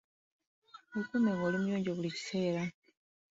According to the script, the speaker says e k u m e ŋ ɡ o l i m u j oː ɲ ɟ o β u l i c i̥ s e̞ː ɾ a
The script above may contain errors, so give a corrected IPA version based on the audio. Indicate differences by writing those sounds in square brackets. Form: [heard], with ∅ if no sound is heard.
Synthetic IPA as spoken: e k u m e ŋ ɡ o l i m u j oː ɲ ɟ o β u l i c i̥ s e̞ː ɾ a